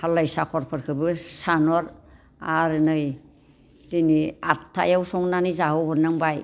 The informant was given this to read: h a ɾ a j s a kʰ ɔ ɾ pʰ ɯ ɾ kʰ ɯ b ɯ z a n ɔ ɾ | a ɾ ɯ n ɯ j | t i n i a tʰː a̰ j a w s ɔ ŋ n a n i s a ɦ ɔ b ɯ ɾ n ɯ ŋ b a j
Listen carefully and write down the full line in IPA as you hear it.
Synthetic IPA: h a l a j s a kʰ ɔ ɾ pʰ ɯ ɾ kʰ ɯ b ɯ s a n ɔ ɾ | a ɾ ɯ n ɯ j | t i n i a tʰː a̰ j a w s ɔ ŋ n a n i z a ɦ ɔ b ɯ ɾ n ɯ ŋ b a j